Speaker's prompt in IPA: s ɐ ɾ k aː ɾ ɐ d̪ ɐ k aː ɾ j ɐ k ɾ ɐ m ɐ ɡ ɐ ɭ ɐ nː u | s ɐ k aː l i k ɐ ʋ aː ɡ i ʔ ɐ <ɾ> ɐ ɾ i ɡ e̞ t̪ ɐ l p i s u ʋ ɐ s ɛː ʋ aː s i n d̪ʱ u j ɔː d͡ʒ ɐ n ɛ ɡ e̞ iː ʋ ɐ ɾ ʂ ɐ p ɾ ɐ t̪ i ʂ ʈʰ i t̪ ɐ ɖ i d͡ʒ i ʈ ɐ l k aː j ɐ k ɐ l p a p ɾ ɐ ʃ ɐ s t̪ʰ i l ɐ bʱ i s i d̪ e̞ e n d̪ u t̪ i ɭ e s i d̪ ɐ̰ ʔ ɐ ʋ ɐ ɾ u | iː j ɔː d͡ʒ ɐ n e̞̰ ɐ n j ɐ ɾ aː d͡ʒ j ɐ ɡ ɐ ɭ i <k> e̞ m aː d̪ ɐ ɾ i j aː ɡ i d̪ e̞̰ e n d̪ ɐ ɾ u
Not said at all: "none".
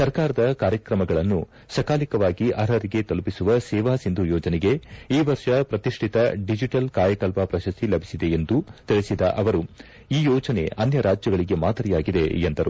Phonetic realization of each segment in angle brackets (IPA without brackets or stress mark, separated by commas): ɾ, ɡ